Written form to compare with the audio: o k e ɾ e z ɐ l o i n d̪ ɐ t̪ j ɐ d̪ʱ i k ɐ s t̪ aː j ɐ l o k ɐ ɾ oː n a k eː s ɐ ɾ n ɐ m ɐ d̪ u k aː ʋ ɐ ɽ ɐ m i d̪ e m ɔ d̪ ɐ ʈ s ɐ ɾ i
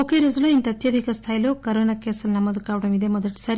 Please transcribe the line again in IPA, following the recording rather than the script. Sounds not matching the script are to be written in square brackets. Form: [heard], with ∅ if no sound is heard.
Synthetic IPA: o k e ɾ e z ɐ l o i n [t̪] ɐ t̪ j ɐ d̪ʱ i k ɐ s [t̪ʰ] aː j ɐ l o k ɐ ɾ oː n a k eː s ɐ [l] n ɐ m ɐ d̪ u k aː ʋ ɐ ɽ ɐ m i d̪ e m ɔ d̪ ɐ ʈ s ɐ ɾ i